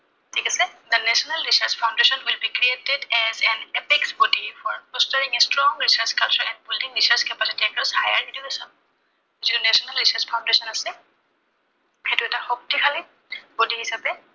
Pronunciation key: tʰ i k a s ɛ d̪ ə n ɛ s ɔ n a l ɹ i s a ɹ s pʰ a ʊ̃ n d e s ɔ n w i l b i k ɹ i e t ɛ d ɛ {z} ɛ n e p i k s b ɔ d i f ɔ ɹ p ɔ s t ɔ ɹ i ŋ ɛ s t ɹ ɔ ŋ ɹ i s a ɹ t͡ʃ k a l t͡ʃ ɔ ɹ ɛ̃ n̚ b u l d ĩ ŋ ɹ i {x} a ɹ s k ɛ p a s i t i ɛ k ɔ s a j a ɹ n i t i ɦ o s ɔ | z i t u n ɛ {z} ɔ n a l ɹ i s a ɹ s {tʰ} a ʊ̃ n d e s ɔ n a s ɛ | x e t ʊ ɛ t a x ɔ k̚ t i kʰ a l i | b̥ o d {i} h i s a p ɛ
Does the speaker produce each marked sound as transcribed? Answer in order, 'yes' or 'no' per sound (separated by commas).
yes, no, no, no, yes